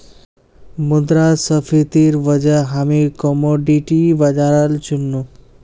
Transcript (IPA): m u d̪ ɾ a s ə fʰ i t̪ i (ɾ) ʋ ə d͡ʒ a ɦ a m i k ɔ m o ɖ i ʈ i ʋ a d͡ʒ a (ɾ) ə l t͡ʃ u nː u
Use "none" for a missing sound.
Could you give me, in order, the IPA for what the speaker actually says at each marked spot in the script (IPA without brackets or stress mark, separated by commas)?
ɾ, ɾ